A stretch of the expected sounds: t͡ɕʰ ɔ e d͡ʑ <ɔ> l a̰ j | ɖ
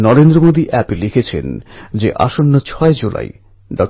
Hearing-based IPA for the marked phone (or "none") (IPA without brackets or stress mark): u